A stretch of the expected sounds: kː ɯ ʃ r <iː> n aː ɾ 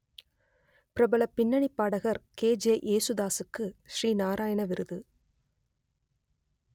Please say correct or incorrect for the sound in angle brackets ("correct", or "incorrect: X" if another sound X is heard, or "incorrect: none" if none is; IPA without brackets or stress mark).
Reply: correct